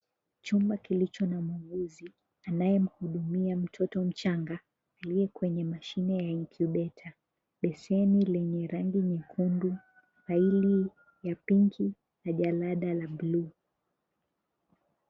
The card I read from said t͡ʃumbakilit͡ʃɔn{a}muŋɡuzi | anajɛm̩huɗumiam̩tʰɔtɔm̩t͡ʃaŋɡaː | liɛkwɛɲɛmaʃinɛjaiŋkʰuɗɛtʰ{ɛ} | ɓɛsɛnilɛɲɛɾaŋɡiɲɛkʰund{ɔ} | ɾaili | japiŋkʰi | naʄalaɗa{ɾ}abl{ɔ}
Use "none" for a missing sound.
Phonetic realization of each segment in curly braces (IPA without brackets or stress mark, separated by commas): a, a, u, l, u